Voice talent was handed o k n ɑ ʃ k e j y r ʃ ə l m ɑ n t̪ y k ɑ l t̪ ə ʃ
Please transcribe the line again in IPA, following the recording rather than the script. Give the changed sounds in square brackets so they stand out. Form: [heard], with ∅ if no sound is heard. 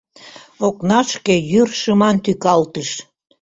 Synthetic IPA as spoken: o k n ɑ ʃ k e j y r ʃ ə [∅] m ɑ n t̪ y k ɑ l t̪ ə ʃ